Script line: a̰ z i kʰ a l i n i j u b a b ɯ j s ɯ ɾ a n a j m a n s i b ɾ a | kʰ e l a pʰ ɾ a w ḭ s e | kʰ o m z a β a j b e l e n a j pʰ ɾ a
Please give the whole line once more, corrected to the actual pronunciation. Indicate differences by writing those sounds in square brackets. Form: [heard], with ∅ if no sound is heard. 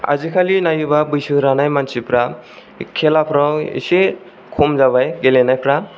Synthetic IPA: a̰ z i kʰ a l i n [a] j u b a b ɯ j s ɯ ɾ a n a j m a n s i [p] ɾ a | kʰ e l a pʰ ɾ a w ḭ s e | kʰ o m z a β a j [ɡ] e l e n a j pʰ ɾ a

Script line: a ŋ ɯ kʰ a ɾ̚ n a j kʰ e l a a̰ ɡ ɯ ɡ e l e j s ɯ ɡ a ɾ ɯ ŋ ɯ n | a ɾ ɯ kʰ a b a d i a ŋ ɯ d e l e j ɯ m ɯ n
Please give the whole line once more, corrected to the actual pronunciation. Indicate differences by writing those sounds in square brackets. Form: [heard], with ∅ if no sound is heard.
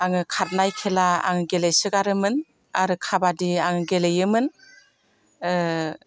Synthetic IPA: a ŋ ɯ kʰ a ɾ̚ n a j kʰ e l a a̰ [ŋ] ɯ ɡ e l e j s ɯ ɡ a ɾ ɯ [m] ɯ n | a ɾ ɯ kʰ a b a d i a ŋ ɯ [ɡ] e l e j ɯ m ɯ n

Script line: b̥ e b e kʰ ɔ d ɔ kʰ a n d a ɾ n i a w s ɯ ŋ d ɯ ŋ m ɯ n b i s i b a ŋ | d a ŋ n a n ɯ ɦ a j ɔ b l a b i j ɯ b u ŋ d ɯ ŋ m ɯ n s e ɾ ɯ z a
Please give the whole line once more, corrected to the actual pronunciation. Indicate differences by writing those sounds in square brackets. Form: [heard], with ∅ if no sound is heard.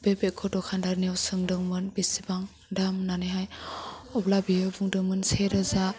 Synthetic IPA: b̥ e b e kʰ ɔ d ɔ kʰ a n d a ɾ n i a w s ɯ ŋ d ɯ ŋ m ɯ n b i s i b a ŋ | d a [m] n a n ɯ ɦ a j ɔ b l a b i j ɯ b u ŋ d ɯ ŋ m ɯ n s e ɾ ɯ z a

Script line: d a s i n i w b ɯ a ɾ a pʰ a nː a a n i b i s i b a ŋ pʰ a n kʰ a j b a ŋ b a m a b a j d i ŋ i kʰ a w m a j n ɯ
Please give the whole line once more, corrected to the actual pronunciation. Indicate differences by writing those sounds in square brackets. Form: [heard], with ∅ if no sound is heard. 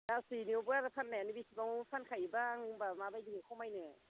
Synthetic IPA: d a s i n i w b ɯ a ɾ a pʰ a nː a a n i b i s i b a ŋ pʰ a n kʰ a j b a ŋ b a m a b a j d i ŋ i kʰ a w m a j n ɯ

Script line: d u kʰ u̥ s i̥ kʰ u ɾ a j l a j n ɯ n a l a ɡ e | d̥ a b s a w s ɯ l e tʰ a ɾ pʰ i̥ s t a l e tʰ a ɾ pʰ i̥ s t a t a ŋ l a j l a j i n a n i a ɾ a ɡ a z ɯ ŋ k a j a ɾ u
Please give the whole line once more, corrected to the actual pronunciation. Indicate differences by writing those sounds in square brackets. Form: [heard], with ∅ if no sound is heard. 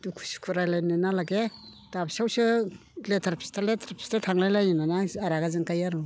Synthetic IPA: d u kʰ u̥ s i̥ kʰ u ɾ a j l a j n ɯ n a l a ɡ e | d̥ a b s a w s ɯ l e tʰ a ɾ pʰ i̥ s t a l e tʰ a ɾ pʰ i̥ s t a [tʰ] a ŋ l a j l a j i n a n [a] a ɾ a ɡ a z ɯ ŋ k a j a ɾ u

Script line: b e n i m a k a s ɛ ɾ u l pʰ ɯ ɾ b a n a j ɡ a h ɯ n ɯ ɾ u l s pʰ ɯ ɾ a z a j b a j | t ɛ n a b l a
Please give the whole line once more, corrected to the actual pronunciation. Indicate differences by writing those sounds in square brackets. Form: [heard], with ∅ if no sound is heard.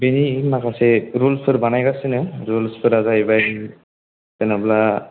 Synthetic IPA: b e n i m a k a s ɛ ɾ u l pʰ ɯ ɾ b a n a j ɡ a [s] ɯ n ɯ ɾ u l s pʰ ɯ ɾ a z a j b a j | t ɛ n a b l a

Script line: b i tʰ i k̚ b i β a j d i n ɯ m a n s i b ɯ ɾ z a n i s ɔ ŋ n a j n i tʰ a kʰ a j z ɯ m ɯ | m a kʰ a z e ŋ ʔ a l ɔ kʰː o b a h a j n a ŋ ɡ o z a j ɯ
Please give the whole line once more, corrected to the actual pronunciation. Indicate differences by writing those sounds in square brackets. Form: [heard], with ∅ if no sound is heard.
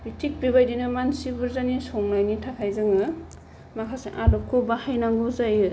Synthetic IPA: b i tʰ i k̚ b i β a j d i n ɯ m a n s i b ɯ ɾ z a n i s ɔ ŋ n a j n i tʰ a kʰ a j z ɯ [ŋ] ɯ | m a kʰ a [s] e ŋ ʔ a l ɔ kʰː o b a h a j n a ŋ ɡ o z a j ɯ

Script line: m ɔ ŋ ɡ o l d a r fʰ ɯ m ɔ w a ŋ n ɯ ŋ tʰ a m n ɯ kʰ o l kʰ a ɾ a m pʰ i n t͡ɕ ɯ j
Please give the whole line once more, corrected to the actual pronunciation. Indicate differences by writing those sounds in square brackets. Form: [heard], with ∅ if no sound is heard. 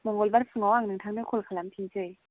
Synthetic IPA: m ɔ ŋ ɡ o l [b] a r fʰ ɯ [ŋ] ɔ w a ŋ n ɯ ŋ tʰ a [ŋ] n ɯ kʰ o l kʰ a [l] a m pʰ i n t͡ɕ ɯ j

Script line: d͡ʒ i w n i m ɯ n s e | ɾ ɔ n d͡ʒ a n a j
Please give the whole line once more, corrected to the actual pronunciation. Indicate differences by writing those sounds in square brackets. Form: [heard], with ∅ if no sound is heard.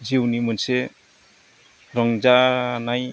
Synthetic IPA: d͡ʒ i w n i m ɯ n s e | ɾ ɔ [ŋ] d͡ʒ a n a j

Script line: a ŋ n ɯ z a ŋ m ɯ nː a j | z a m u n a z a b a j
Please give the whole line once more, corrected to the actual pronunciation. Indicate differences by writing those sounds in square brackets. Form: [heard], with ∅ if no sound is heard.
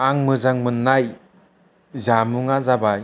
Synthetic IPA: a ŋ [m] ɯ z a ŋ m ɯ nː a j | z a m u [ŋ] a z a b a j

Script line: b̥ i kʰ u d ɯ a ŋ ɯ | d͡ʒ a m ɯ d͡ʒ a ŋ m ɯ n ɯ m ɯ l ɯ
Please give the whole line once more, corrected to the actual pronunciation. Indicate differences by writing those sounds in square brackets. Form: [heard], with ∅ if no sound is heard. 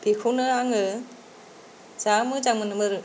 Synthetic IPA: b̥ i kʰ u [n] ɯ a ŋ ɯ | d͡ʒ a m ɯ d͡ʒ a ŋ m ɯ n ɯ m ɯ [ɾ] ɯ

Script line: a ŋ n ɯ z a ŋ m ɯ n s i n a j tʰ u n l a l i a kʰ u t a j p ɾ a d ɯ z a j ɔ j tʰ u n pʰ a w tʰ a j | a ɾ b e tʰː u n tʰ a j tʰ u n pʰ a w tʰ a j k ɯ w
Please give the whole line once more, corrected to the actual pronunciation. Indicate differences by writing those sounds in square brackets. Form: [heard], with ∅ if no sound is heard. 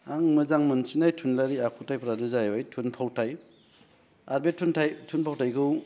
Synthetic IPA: a ŋ [m] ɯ z a ŋ m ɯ n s i n a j tʰ u n l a [ɾ] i a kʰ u t a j p ɾ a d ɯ z a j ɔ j tʰ u n pʰ a w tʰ a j | a ɾ b e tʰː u n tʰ a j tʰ u n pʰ a w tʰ a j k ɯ w

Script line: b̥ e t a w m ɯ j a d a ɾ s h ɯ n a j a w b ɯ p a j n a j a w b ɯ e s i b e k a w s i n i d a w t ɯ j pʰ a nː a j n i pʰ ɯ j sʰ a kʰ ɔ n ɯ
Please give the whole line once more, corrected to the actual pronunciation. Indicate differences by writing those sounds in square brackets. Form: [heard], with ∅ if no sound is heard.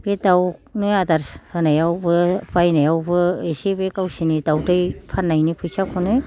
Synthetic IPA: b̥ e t a w [n] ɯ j a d a ɾ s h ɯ n a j a w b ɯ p a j n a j a w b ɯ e s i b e k a w s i n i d a w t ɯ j pʰ a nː a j n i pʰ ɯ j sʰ a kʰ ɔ n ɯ

